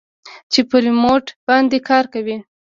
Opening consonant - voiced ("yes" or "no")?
no